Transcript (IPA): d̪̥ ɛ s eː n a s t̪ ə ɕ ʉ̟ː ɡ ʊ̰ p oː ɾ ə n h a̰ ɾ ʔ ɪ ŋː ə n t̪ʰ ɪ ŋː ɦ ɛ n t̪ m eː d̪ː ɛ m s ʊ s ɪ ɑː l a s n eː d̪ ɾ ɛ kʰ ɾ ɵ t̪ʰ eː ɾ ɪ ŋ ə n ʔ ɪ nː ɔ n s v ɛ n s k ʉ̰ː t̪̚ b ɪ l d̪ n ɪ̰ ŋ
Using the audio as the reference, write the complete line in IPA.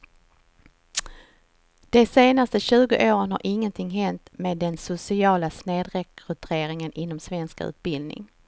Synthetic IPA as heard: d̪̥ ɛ s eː n a s t̪ ə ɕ ʉ̟ː ɡ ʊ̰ ʔ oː ɾ ə n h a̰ ɾ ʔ ɪ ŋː ə n t̪ʰ ɪ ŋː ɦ ɛ n t̪ m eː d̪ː ɛ n s ʊ s ɪ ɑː l a s n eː d̪ ɾ ɛ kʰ ɾ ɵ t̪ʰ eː ɾ ɪ ŋ ə n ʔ ɪ nː ɔ m s v ɛ n s k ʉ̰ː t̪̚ b ɪ l d̪ n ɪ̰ ŋ